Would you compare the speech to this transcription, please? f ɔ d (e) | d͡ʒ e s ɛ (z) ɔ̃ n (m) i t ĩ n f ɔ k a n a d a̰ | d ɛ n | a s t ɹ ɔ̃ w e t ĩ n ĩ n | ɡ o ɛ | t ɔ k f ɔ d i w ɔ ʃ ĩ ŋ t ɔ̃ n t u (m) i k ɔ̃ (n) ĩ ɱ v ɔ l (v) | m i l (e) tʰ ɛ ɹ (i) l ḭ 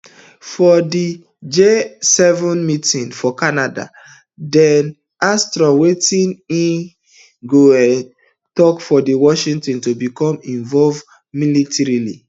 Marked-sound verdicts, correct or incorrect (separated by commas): incorrect, incorrect, correct, incorrect, incorrect, correct, incorrect, correct